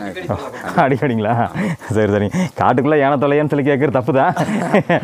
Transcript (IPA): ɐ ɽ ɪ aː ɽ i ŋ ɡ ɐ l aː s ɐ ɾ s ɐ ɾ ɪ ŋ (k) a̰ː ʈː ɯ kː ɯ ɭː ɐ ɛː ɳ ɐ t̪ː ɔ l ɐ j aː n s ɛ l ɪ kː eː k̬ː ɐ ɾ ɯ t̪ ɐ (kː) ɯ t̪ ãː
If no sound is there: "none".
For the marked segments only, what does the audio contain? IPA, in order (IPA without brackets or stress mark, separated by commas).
k, pː